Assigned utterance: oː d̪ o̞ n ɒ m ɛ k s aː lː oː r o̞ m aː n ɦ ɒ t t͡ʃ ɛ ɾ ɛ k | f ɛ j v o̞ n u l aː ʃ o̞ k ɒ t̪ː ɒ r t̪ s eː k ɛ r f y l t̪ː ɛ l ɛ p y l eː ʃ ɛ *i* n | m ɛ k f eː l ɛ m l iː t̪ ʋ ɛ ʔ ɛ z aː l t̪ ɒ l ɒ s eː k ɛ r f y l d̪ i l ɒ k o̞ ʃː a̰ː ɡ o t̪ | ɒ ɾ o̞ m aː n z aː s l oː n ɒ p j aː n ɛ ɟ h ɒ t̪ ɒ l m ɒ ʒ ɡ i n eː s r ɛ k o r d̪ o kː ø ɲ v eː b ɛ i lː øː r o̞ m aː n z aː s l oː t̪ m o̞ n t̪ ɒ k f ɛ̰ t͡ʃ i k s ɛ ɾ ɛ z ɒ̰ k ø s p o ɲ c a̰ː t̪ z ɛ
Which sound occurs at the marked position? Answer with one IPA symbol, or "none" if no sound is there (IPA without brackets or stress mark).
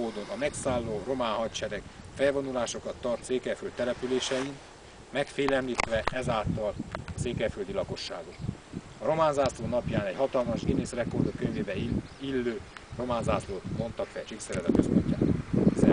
i